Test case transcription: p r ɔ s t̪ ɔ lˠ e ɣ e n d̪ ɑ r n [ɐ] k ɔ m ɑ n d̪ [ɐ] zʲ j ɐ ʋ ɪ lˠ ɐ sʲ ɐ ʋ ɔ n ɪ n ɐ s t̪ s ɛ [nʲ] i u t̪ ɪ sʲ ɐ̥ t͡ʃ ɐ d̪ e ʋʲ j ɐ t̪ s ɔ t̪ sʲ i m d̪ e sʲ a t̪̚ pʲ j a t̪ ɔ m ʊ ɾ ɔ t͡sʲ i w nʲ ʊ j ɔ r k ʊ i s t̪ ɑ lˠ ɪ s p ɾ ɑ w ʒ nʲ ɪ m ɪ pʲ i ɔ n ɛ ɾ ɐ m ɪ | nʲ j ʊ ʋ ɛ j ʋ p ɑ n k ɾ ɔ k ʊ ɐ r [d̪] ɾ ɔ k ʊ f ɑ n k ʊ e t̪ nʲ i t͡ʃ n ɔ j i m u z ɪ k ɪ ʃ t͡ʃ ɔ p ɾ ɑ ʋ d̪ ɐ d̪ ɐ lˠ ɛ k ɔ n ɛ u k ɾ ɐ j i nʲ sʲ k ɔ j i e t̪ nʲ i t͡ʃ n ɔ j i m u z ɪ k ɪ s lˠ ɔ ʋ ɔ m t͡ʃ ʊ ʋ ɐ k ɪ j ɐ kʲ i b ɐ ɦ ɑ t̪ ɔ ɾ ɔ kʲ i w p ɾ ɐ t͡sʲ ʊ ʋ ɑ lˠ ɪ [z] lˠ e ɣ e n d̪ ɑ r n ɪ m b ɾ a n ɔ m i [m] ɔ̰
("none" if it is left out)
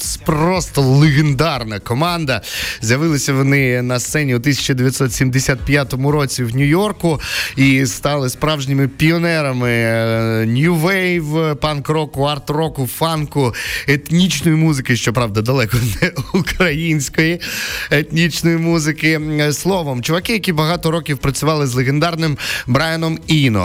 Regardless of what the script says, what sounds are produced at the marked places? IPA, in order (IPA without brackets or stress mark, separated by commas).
ɐ, ɐ, nʲ, t̪, z, n